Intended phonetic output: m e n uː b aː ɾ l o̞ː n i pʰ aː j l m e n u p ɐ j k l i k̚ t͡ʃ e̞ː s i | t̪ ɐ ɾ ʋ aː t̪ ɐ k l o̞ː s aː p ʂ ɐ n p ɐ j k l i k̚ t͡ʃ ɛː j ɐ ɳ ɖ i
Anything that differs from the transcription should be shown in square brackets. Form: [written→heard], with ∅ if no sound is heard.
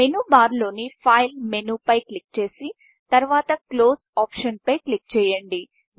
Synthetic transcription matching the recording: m e n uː b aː ɾ l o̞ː n i pʰ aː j l m e n u p ɐ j k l i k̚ t͡ʃ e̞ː s i | t̪ ɐ ɾ ʋ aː t̪ ɐ k l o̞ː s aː p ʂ ɐ n p ɐ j k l i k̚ t͡ʃ ɛː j ɐ ɳ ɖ i